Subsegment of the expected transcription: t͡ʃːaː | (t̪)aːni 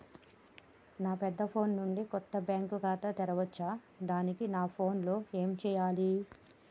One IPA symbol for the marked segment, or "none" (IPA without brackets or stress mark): d̪